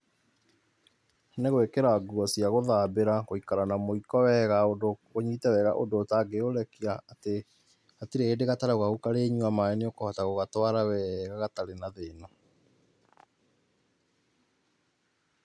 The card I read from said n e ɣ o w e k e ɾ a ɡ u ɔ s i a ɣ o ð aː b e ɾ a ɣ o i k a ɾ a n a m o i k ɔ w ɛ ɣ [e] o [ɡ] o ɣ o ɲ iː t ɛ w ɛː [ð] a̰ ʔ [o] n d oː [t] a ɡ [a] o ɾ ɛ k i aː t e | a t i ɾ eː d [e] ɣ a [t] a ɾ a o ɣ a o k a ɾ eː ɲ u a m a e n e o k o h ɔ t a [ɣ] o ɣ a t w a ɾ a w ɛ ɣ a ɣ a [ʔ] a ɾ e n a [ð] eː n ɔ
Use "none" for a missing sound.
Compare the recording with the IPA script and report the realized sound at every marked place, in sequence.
a, d, ɣ, o, t, e, e, t, ɣ, t, ð

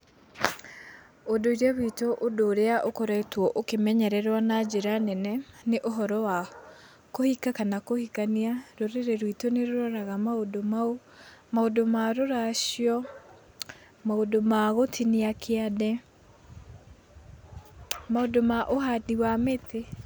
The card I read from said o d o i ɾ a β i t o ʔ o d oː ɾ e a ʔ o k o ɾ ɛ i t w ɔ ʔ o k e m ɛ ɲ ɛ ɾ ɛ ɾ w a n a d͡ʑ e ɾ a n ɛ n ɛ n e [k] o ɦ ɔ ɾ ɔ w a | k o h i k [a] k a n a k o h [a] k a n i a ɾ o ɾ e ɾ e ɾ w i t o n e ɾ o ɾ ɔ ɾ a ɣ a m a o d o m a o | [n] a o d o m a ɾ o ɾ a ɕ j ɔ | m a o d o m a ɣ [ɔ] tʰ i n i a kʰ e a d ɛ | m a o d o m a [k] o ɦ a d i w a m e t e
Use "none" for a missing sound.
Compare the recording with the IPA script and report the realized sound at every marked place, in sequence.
ʔ, a, i, m, o, ʔ

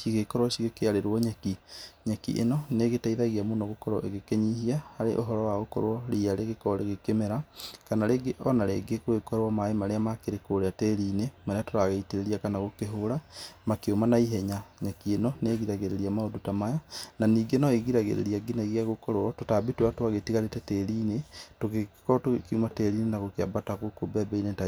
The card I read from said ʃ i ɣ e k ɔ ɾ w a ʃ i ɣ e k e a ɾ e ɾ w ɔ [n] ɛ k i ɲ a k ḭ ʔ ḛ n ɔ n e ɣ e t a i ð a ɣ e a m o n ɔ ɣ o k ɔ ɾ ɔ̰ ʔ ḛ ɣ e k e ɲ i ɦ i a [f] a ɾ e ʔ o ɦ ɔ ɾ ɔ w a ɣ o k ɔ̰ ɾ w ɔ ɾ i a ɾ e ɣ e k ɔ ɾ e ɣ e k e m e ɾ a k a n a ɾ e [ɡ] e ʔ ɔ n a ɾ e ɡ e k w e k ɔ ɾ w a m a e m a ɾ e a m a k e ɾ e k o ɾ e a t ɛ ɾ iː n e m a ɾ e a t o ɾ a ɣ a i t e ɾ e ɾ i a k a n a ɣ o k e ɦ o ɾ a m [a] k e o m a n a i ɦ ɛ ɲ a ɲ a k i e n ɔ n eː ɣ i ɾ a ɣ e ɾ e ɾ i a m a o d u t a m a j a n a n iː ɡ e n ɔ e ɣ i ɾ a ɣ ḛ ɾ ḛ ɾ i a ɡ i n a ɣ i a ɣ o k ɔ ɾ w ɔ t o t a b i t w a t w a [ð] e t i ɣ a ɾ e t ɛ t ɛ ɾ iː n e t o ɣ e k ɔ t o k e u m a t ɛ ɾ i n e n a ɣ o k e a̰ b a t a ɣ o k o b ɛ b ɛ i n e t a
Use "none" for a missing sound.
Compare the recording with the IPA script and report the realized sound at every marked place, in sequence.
ɲ, h, ɡ, a, ɣ

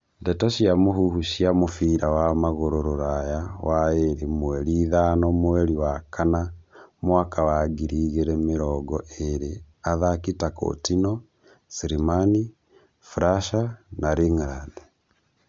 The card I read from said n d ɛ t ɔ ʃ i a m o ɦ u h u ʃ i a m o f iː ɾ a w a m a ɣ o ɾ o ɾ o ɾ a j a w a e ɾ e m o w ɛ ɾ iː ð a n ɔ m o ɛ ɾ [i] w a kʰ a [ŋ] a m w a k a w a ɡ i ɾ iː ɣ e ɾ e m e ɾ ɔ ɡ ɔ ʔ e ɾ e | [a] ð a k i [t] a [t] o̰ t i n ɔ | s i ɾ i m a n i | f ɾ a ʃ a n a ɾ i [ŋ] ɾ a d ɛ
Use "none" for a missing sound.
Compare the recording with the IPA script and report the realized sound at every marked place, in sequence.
i, n, a, t, k, ŋ

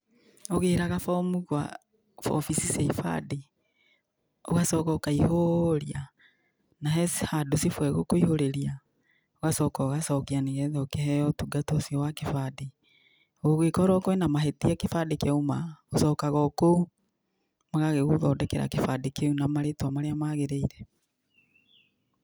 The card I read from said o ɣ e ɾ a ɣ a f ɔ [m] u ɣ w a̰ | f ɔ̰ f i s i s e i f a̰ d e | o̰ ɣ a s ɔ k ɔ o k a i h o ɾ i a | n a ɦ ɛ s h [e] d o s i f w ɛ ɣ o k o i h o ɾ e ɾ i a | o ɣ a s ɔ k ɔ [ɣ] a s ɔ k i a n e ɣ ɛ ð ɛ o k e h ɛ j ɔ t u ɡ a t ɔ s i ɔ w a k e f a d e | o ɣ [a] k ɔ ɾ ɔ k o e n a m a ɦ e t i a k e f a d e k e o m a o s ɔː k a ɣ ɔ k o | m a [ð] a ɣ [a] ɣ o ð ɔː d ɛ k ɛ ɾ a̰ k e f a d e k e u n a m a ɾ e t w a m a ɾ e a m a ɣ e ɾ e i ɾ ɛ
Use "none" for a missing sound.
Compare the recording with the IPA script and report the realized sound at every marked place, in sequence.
m, a, ɣ, e, ɣ, e

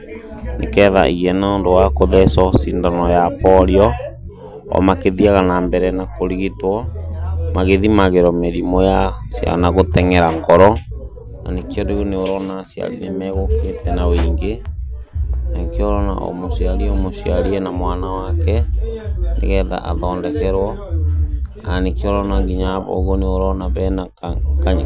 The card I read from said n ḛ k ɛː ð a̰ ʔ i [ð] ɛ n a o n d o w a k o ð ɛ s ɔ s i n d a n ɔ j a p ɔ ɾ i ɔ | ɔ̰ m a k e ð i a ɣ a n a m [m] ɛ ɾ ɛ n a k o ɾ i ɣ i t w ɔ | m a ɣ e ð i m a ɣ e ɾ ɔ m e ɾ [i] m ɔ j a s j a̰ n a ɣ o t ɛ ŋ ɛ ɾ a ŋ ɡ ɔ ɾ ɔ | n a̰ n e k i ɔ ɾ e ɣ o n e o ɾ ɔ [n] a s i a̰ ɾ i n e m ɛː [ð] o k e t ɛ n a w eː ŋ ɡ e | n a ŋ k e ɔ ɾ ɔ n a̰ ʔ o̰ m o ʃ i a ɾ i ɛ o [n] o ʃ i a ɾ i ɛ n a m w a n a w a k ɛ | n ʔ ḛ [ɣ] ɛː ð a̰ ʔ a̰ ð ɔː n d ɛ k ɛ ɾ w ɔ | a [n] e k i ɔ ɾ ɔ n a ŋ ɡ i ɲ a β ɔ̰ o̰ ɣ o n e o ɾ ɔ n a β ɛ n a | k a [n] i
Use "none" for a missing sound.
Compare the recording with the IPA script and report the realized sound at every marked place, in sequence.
ɣ, b, i, n, ɣ, m, ɣ, n, ɲ

